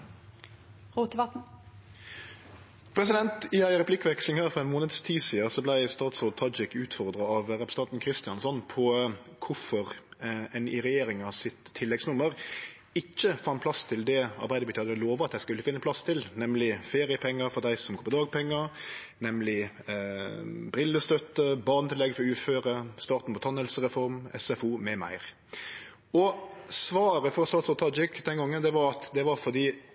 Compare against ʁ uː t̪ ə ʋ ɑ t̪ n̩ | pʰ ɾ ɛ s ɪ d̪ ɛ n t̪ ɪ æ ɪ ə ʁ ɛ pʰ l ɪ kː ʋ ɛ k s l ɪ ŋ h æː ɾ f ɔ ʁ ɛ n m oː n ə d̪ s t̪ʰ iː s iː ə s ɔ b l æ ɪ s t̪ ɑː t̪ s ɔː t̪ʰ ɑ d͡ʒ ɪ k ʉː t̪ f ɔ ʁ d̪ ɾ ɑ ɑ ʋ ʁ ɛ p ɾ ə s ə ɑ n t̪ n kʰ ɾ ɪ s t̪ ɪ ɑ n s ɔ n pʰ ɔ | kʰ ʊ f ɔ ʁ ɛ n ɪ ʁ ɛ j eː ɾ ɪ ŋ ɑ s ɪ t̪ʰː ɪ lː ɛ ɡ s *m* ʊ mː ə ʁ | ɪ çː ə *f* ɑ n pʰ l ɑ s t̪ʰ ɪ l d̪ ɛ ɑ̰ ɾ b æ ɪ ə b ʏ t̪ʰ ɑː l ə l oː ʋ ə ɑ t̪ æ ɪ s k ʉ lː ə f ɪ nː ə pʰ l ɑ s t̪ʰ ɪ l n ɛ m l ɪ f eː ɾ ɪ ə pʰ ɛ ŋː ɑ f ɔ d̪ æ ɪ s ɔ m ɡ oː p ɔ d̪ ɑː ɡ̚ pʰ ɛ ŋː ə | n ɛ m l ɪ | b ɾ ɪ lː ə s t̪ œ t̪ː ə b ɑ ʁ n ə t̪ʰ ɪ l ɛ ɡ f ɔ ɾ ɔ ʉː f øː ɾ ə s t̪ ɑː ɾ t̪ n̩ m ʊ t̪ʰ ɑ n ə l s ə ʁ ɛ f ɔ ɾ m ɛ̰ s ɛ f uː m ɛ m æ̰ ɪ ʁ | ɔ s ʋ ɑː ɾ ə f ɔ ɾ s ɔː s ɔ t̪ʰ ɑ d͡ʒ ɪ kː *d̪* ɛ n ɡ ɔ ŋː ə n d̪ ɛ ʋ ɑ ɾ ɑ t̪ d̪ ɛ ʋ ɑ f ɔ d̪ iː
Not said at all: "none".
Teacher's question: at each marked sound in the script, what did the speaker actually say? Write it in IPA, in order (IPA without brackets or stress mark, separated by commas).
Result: n, f, d̪